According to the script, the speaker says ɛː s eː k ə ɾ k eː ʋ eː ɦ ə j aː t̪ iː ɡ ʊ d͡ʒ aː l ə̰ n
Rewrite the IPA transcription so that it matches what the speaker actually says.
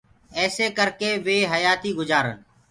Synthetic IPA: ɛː s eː k ə ɾ k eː ʋ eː ɦ ə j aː t̪ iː ɡ ʊ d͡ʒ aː ɾ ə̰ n